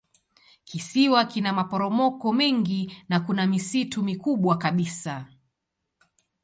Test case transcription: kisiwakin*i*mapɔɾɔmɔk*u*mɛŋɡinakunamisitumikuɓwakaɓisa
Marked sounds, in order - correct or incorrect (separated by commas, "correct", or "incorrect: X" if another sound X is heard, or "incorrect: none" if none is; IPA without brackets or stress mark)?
incorrect: a, incorrect: ɔ